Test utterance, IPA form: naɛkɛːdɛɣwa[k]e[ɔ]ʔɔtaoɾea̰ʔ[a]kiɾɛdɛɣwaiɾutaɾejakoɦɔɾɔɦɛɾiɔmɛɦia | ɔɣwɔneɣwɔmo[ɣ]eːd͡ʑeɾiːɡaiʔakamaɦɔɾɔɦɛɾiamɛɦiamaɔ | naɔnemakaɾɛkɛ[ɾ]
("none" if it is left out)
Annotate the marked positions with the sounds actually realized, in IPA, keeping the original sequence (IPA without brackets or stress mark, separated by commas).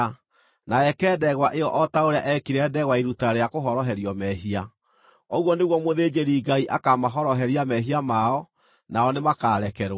ʔ, ɔ, ɛ, ð, ɾ